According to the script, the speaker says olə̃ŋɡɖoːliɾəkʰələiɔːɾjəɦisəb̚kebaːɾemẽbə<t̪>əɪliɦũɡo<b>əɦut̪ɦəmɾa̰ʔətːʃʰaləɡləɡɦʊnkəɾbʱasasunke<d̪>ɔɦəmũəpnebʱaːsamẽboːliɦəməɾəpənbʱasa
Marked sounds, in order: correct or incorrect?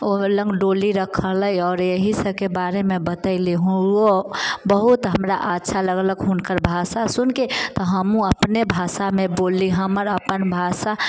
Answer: correct, correct, incorrect

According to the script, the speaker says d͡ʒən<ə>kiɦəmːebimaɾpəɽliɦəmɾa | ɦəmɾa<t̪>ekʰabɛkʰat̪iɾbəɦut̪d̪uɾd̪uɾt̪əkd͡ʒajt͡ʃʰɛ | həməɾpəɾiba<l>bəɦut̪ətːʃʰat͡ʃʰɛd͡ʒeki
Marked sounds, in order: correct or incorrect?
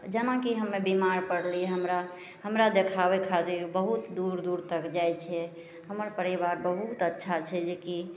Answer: incorrect, incorrect, incorrect

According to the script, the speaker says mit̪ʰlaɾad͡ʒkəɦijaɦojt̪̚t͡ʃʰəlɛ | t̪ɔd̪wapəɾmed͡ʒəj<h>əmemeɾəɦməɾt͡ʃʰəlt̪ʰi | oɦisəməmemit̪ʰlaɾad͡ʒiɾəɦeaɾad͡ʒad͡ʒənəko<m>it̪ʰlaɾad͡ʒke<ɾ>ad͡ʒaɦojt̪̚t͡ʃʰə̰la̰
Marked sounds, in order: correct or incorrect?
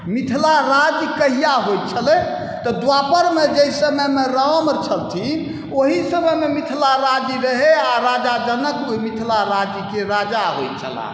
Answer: incorrect, correct, correct

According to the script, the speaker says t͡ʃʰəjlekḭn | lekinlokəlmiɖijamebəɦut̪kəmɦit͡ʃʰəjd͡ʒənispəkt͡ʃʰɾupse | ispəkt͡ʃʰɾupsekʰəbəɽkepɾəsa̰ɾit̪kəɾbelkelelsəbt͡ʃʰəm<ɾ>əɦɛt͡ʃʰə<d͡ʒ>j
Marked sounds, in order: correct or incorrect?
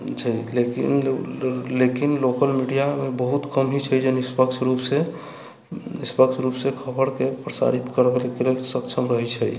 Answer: correct, incorrect

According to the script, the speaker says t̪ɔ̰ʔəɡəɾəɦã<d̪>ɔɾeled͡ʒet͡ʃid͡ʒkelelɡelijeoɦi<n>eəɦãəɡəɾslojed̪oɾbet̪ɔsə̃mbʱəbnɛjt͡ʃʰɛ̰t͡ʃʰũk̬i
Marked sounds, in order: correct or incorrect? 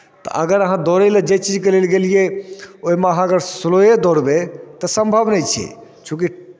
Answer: correct, incorrect

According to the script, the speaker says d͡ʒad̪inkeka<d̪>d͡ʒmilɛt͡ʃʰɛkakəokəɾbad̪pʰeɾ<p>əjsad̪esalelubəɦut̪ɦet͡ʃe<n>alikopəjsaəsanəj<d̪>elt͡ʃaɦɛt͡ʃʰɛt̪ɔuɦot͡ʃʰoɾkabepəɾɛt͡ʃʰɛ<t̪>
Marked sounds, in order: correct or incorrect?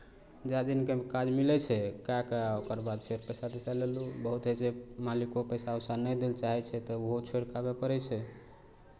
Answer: incorrect, correct, incorrect, correct, incorrect

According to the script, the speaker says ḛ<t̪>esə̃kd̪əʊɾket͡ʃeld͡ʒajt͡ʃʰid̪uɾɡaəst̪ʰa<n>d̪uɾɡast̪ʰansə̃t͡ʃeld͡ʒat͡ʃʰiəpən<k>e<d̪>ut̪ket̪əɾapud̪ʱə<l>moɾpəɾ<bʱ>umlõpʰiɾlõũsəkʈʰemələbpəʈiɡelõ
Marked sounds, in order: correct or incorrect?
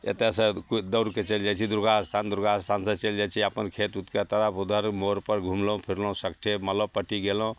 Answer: correct, correct, incorrect, incorrect, incorrect, incorrect

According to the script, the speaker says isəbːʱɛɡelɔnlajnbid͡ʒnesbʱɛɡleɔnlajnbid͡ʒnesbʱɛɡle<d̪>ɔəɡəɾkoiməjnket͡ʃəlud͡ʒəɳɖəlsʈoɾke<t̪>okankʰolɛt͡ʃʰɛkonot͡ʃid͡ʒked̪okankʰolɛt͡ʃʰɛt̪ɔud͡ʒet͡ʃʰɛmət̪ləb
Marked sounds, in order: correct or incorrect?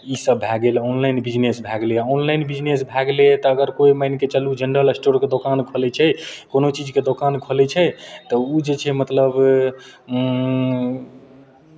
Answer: incorrect, incorrect

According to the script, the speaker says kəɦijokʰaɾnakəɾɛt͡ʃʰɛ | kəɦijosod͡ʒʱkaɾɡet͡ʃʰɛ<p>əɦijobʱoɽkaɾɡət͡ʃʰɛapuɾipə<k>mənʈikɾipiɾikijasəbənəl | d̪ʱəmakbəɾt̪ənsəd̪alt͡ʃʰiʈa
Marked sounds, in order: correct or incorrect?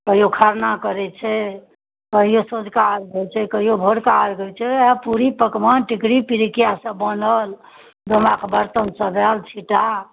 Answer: incorrect, correct

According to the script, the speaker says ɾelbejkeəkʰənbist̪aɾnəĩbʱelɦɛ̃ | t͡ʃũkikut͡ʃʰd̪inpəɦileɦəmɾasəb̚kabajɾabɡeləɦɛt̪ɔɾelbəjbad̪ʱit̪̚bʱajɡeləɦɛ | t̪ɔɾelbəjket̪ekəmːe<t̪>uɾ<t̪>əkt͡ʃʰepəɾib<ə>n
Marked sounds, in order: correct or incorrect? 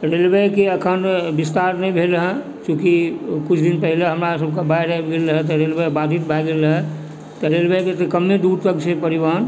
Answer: incorrect, correct, incorrect

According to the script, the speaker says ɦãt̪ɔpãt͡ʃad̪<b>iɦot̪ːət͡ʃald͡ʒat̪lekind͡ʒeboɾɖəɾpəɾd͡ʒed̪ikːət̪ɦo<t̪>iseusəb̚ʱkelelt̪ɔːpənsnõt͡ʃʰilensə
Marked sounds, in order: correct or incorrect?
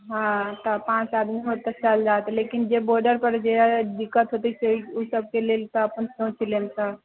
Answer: incorrect, correct

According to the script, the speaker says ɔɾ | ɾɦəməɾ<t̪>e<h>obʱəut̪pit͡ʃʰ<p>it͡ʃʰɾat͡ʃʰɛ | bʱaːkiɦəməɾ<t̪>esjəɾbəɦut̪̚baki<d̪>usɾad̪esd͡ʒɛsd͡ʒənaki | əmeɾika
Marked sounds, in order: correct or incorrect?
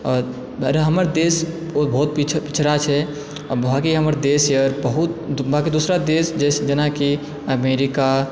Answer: incorrect, incorrect, correct, incorrect, correct

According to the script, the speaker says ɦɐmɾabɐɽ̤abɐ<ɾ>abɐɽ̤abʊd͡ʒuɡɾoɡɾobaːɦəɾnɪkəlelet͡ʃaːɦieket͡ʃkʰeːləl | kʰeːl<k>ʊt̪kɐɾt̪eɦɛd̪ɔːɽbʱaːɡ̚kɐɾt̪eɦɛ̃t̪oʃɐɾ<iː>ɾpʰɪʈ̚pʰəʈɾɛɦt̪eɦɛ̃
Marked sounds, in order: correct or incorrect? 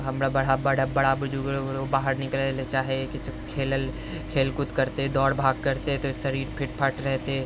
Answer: incorrect, correct, correct

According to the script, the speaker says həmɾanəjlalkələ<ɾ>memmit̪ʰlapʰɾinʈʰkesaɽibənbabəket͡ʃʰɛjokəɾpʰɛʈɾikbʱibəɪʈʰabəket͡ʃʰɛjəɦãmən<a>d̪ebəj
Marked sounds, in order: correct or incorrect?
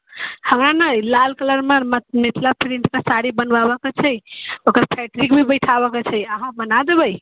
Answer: correct, correct

